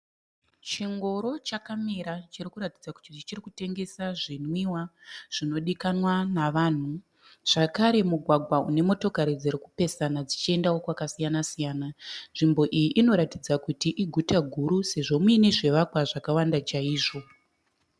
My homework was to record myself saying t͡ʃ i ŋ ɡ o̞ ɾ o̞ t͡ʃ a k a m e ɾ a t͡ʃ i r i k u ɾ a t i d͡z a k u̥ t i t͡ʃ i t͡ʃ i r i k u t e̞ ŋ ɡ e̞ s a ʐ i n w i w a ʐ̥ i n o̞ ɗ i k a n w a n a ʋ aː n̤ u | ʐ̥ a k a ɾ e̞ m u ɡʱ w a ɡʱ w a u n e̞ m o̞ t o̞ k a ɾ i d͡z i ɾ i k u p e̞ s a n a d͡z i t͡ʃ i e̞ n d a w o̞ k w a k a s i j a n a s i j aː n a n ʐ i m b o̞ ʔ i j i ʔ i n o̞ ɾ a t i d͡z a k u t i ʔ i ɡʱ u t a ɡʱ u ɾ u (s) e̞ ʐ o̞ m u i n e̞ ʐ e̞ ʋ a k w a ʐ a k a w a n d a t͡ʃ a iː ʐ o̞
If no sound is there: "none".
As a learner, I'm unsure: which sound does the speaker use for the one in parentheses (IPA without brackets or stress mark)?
s